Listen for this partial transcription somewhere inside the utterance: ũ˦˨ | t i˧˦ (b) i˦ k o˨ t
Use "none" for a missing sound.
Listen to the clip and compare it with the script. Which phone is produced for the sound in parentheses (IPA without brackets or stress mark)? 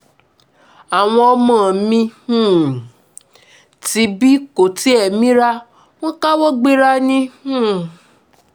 b